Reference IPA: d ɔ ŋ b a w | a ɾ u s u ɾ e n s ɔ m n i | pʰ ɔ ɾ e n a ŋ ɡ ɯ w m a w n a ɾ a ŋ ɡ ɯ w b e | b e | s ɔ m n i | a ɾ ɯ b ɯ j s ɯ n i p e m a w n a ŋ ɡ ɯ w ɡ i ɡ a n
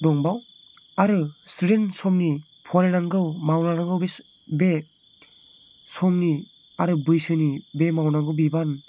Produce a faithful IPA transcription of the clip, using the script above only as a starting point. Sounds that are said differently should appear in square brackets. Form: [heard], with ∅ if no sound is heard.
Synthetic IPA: d ɔ ŋ b a w | a ɾ [ɯ] s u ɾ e n s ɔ m n i | pʰ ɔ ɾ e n a ŋ ɡ ɯ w m a w n a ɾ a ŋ ɡ ɯ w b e | b e | s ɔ m n i | a ɾ ɯ b ɯ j s ɯ n i [b] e m a w n a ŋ ɡ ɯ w [b] i [b] a n